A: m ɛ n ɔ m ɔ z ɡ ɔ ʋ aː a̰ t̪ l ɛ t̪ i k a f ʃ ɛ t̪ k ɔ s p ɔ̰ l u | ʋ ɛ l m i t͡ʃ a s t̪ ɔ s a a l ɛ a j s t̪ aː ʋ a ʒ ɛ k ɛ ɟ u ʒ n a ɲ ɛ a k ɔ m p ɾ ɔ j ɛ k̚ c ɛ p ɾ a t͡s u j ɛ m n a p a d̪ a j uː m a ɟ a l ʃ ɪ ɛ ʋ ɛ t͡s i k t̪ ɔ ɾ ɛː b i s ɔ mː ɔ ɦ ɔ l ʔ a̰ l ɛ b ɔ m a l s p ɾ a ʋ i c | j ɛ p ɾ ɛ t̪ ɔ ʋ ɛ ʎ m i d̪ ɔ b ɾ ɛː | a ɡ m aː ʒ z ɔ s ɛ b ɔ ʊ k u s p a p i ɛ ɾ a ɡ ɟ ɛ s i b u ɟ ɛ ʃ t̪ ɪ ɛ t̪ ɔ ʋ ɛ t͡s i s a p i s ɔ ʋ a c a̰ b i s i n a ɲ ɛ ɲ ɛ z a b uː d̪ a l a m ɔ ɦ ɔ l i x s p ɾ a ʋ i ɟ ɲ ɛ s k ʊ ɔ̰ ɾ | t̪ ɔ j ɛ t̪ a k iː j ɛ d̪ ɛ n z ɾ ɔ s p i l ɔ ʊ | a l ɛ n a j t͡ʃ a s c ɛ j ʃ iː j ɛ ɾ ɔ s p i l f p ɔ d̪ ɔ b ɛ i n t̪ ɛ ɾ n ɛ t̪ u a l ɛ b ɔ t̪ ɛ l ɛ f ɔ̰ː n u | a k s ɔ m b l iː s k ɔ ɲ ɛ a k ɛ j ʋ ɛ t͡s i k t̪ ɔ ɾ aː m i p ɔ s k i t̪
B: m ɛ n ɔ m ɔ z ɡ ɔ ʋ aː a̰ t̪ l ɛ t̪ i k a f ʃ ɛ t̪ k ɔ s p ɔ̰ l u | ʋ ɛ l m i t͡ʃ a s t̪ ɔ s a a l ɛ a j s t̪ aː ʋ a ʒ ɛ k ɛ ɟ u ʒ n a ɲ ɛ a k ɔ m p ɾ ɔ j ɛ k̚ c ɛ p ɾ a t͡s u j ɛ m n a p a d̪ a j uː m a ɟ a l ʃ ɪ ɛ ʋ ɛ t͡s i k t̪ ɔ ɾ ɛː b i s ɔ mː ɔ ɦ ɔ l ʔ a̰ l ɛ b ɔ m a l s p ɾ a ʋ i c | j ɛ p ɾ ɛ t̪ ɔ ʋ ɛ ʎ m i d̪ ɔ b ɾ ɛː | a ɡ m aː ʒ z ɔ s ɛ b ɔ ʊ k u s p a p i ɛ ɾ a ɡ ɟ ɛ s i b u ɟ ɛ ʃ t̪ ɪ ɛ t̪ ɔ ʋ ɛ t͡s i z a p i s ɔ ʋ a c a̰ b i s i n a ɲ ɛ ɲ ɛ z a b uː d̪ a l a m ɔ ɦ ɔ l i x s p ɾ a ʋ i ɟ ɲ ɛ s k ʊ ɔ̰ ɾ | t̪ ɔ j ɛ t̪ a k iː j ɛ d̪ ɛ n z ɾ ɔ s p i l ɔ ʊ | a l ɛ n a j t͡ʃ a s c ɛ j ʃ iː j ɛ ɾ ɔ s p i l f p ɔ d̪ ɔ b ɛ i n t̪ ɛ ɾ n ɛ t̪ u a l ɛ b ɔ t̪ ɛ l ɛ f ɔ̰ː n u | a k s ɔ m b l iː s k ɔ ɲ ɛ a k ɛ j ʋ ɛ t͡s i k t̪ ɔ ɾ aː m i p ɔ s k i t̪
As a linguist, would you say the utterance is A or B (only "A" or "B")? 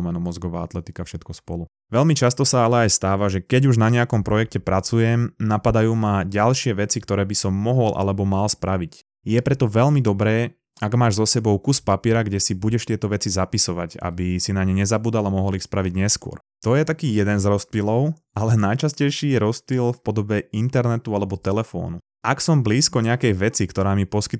B